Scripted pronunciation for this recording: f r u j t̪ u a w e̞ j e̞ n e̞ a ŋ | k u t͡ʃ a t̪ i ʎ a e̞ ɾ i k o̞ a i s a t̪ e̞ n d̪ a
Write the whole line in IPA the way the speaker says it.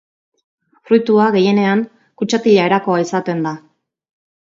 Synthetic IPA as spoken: f r u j t̪ u a ɣ e̞ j e̞ n e̞ a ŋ | k u t͡ʃ a t̪ i ʎ a e̞ ɾ a k o̞ a i s a t̪ e̞ n d̪ a